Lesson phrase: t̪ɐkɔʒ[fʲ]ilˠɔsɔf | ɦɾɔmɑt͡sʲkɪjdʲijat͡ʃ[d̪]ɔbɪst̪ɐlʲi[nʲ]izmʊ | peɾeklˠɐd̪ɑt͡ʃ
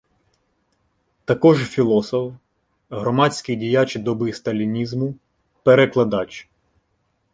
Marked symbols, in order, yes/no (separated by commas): yes, yes, yes